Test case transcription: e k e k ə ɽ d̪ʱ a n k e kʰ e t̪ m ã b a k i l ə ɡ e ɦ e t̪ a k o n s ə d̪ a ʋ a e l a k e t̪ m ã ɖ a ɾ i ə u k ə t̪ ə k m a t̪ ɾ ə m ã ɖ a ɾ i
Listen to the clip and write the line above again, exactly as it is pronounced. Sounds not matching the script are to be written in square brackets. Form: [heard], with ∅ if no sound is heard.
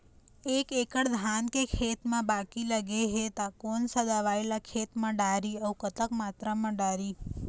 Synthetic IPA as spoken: e k e k ə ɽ d̪ʱ a n k e kʰ e t̪ m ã b a k i l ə ɡ e ɦ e t̪ a k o n s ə d̪ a ʋ a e l a [kʰ] e t̪ m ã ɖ a ɾ i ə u k ə t̪ ə k m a t̪ ɾ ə m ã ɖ a ɾ i